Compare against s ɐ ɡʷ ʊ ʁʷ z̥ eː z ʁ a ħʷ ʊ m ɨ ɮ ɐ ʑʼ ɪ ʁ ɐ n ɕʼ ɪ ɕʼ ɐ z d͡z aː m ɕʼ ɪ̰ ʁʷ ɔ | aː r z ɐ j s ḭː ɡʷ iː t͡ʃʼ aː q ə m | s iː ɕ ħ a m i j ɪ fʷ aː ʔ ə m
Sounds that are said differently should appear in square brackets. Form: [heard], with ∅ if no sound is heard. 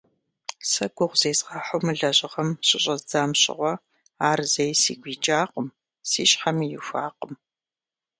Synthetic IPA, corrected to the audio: s ɐ ɡʷ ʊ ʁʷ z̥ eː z ʁ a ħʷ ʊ m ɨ ɮ ɐ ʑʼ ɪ ʁ ɐ [m] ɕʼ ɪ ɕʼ ɐ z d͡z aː m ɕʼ ɪ̰ ʁʷ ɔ | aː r z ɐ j s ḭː ɡʷ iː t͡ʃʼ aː q ə m | s iː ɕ ħ a m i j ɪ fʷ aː [q] ə m

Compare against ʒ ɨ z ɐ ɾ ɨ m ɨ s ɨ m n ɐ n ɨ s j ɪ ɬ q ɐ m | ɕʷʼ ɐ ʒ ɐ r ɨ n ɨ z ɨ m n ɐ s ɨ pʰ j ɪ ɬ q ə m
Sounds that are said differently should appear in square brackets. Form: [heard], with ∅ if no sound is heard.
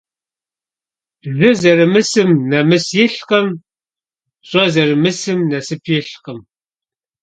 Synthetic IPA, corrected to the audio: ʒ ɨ z ɐ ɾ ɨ m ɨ s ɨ m n ɐ [m] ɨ s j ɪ ɬ q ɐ m | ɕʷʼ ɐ [z] ɐ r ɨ [m] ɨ [s] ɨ m n ɐ s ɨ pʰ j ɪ ɬ q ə m

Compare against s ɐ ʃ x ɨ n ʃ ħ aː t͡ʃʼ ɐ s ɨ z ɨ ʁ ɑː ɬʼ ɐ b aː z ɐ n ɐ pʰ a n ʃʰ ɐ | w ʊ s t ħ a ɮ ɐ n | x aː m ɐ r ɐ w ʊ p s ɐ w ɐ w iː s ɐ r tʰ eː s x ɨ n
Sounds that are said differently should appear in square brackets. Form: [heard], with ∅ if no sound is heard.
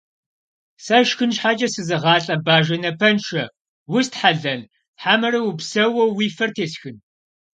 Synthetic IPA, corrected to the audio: s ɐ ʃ x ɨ n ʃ ħ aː t͡ʃʼ ɐ s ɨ z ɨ ʁ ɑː ɬʼ ɐ b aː [ʒ] ɐ n ɐ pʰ [ɐ] n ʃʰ ɐ | w ʊ s t ħ a ɮ ɐ n | [ħ] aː m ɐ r ɐ w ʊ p s ɐ w ɐ w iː [f] ɐ r tʰ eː s x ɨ n

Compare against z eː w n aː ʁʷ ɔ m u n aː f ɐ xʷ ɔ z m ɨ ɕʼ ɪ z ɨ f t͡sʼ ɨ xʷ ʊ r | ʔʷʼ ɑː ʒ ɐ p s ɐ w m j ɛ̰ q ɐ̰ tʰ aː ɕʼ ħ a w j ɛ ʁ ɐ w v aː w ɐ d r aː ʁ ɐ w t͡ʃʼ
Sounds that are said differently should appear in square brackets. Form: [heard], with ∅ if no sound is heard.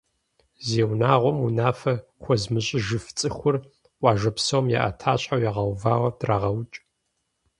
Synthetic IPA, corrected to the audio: z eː w n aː ʁʷ ɔ m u n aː f ɐ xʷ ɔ z m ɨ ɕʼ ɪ [ʒ] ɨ f t͡sʼ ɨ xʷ ʊ r | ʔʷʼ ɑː ʒ ɐ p s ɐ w m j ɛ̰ [ʔ] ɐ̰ tʰ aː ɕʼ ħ a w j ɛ ʁ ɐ w v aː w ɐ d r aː ʁ ɐ w t͡ʃʼ

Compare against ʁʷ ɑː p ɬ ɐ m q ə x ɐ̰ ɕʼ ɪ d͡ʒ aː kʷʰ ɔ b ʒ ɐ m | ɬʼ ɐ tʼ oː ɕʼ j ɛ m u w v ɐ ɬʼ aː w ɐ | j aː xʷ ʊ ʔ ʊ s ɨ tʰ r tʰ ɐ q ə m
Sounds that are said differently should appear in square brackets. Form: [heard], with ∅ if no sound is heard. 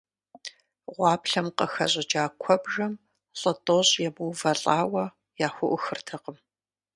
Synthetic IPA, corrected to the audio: ʁʷ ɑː p ɬ ɐ m q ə x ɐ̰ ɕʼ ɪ d͡ʒ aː kʷʰ ɔ b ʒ ɐ m | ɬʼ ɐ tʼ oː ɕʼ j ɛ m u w v ɐ ɬʼ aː w ɐ | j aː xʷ ʊ ʔ ʊ [x] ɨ [∅] r tʰ ɐ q ə m

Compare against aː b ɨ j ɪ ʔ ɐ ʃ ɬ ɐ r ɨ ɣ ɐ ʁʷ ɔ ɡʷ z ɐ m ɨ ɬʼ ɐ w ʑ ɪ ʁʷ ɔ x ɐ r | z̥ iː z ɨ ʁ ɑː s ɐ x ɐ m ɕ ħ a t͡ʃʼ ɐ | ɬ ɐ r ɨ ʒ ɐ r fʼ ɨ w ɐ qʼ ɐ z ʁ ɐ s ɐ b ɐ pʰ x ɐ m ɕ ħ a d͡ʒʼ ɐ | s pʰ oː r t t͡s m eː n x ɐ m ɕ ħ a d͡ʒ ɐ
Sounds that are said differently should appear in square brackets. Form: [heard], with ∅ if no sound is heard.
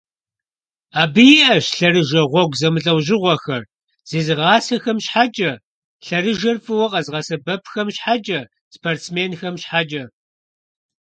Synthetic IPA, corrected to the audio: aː b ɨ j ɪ ʔ ɐ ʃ ɬ ɐ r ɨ [ʒ] ɐ ʁʷ ɔ ɡʷ z ɐ m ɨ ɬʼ ɐ w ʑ ɪ ʁʷ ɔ x ɐ r | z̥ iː z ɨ ʁ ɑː s ɐ x ɐ m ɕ ħ a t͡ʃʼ ɐ | ɬ ɐ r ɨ ʒ ɐ r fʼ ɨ w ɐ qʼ ɐ z ʁ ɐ s ɐ b ɐ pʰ x ɐ m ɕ ħ a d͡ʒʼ ɐ | s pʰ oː r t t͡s m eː n x ɐ m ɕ ħ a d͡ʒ ɐ

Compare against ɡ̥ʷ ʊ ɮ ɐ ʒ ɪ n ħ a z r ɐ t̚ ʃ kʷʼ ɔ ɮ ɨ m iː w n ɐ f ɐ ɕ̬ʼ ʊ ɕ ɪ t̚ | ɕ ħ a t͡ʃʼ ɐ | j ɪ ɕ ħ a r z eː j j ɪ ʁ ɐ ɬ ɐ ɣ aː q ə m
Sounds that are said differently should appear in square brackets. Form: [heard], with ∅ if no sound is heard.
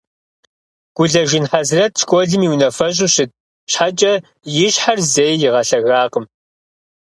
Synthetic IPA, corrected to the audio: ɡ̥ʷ ʊ ɮ ɐ ʒ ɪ n ħ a z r ɐ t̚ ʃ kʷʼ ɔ ɮ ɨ m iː w n ɐ f ɐ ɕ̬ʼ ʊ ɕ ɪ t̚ | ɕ ħ a t͡ʃʼ ɐ | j ɪ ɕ ħ a r z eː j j ɪ ʁ ɐ ɬ ɐ ɣ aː q ə m

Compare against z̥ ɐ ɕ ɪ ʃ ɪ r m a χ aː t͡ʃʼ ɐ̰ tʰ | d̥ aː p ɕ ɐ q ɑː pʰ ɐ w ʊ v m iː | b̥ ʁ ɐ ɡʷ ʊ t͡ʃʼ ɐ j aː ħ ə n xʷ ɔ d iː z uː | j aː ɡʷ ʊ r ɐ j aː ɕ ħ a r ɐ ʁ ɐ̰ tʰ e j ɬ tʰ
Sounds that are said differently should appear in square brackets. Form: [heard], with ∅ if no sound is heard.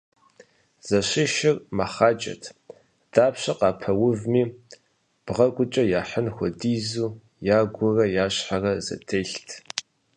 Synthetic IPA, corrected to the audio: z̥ ɐ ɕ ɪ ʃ ɪ r m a χ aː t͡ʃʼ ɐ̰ tʰ | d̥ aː p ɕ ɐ q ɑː pʰ ɐ w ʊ v m iː | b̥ ʁ ɐ ɡʷ ʊ t͡ʃʼ ɐ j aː ħ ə n xʷ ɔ d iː z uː | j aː ɡʷ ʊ r ɐ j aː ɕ ħ a r ɐ [z] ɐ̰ tʰ e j ɬ tʰ

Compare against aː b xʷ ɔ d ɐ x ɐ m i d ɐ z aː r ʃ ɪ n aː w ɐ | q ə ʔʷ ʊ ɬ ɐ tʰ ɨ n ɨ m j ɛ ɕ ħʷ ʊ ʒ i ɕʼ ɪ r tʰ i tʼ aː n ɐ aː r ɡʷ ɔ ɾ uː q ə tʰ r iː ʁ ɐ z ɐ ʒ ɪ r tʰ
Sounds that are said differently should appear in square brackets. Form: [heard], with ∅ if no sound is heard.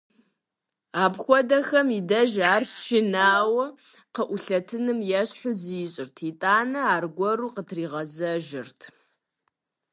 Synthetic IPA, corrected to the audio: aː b xʷ ɔ d ɐ x ɐ m i d ɐ [ʒ] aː r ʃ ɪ n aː w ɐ | q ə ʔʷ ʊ ɬ ɐ tʰ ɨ n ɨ m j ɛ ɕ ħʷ ʊ [z] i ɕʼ ɪ r tʰ i tʼ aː n ɐ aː r ɡʷ ɔ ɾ uː q ə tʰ r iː ʁ ɐ z ɐ ʒ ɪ r tʰ

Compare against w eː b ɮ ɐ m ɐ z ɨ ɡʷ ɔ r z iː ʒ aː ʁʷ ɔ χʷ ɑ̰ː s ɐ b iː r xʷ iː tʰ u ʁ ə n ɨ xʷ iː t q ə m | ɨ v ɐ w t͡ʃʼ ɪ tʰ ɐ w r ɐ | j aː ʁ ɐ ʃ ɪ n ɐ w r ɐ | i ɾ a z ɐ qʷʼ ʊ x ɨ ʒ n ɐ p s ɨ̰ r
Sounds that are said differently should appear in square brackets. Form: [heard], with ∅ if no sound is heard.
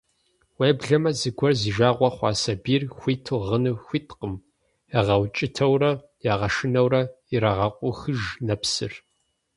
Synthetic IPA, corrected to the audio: w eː b ɮ ɐ m ɐ z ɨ ɡʷ ɔ r z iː ʒ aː ʁʷ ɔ χʷ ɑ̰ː s ɐ b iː r xʷ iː tʰ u ʁ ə n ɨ xʷ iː t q ə m | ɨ [ʁ] ɐ w t͡ʃʼ ɪ tʰ ɐ w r ɐ | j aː ʁ ɐ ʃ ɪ n ɐ w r ɐ | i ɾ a [ʁ] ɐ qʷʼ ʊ x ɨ ʒ n ɐ p s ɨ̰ r

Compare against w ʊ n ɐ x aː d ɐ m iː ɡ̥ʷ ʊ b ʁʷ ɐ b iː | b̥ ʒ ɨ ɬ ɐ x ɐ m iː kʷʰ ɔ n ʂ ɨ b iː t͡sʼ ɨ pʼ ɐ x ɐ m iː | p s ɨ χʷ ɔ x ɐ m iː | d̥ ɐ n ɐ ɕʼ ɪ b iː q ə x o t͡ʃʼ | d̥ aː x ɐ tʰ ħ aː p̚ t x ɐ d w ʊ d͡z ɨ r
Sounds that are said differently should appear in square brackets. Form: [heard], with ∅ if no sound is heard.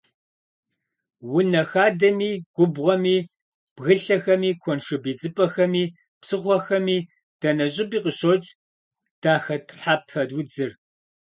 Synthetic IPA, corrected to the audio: w ʊ n ɐ x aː d ɐ m iː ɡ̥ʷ ʊ b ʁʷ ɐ [m] iː | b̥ [ɣ] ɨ ɬ ɐ x ɐ m iː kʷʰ ɔ n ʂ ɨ b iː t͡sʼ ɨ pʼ ɐ x ɐ m iː | p s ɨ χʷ ɔ x ɐ m iː | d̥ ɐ n ɐ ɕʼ ɪ b iː q ə [ɕ] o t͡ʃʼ | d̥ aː x ɐ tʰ ħ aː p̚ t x ɐ d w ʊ d͡z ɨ r

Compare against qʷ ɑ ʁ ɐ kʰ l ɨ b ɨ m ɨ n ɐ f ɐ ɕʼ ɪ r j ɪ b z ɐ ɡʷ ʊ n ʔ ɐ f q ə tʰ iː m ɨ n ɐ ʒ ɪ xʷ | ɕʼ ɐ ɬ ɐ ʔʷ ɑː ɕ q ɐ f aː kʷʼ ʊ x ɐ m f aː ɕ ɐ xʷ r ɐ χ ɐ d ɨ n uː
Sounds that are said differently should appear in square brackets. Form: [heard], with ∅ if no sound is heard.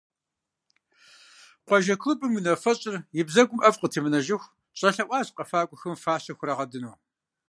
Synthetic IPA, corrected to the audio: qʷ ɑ [ʒ] ɐ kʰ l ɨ b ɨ m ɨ n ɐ f ɐ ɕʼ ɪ r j ɪ b z ɐ ɡʷ ʊ [m] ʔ ɐ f q ə tʰ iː m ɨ n ɐ ʒ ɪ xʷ | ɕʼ ɐ ɬ ɐ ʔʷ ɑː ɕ q ɐ f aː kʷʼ ʊ x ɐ m f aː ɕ ɐ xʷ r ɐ [ʁ] ɐ d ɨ n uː

